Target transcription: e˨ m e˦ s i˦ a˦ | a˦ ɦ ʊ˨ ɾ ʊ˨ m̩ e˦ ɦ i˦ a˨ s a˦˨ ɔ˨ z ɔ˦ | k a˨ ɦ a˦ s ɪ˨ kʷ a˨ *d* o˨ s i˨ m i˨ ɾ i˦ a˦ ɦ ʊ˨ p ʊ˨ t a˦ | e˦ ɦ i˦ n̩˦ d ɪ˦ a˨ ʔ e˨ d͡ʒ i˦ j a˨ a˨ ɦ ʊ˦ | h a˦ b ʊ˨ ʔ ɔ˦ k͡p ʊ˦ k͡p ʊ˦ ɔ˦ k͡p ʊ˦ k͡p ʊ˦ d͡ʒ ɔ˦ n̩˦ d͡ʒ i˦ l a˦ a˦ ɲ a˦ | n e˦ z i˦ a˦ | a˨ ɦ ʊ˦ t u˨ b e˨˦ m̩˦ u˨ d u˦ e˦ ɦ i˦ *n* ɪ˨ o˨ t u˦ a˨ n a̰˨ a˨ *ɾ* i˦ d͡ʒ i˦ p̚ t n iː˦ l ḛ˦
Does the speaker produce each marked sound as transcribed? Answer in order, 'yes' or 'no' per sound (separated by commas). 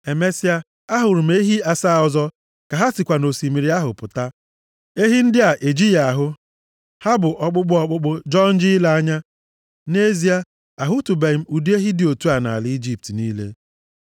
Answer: no, no, no